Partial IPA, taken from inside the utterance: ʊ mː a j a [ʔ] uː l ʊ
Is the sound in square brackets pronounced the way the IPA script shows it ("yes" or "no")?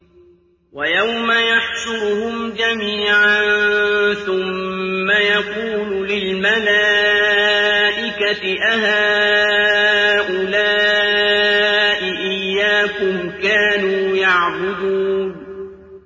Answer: no